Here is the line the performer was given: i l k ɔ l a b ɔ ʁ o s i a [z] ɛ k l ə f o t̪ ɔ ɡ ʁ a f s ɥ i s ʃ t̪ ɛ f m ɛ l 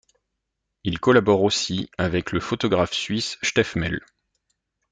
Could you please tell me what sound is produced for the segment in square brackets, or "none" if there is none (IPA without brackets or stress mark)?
v